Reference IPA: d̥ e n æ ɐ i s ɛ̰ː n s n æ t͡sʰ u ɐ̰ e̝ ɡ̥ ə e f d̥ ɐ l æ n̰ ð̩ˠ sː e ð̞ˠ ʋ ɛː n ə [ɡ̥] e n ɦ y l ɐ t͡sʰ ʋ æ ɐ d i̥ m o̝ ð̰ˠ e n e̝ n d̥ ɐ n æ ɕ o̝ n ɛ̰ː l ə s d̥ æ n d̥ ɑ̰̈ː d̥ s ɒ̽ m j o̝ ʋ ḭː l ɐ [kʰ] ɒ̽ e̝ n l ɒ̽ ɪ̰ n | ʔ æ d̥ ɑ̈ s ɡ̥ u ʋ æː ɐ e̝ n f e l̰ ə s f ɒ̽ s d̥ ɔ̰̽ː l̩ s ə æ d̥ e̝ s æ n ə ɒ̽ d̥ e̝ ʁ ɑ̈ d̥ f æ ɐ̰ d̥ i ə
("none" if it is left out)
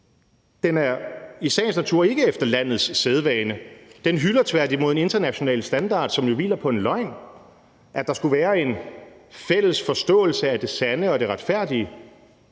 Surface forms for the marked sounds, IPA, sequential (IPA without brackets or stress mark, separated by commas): d̥, pʰ